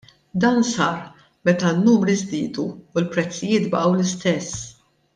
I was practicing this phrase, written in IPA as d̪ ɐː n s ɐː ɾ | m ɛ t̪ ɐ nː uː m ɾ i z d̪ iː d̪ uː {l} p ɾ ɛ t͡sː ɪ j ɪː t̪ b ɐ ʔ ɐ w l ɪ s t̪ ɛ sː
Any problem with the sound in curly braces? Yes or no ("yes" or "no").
no